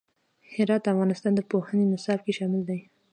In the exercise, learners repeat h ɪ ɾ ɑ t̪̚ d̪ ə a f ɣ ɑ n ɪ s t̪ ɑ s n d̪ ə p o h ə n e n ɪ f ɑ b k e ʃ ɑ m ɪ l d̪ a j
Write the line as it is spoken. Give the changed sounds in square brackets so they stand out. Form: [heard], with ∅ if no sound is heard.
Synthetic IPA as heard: h ɪ ɾ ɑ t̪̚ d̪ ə a f ɣ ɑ n ɪ s t̪ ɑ [∅] n d̪ ə p o h ə n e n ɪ [s] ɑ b k e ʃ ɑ m ɪ l d̪ a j